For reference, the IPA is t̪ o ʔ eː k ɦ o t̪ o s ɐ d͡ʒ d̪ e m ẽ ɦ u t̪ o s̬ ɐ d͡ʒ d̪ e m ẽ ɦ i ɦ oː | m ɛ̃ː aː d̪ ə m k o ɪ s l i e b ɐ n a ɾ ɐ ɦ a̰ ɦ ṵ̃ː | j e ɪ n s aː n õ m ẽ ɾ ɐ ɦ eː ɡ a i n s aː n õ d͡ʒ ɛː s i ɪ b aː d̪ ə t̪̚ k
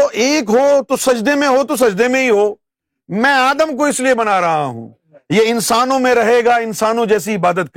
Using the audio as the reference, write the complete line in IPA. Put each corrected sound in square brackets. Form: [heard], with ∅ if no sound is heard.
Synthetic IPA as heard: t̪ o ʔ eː k ɦ o t̪ o s ɐ d͡ʒ d̪ e m ẽ ɦ [o] t̪ o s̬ ɐ d͡ʒ d̪ e m ẽ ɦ i ɦ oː | m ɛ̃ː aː d̪ ə m k o ɪ s l i e b ɐ n a ɾ ɐ ɦ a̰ ɦ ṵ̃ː | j e ɪ n s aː n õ m ẽ ɾ ɐ ɦ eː ɡ a [ɪ] n s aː n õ d͡ʒ ɛː s i ɪ b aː d̪ ə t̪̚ k